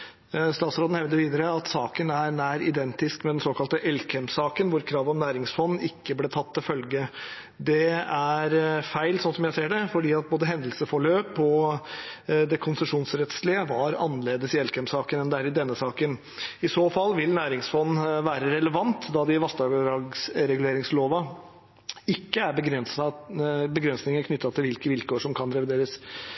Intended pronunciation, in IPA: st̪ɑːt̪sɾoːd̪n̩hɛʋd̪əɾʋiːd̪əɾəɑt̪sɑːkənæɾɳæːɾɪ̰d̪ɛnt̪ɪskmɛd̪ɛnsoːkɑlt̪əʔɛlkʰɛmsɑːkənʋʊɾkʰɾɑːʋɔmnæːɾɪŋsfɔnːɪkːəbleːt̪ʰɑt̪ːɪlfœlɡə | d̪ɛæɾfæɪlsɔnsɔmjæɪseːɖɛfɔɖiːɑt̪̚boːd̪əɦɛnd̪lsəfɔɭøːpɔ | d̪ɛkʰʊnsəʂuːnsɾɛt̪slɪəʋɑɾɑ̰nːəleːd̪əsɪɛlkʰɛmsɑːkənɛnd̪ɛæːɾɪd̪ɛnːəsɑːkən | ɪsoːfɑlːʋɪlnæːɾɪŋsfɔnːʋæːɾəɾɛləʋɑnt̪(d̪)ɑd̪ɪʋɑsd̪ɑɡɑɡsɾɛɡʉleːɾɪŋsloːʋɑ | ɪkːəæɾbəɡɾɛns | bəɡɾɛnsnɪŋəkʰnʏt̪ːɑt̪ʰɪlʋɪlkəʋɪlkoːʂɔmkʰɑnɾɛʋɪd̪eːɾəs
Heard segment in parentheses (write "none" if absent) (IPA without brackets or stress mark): d̪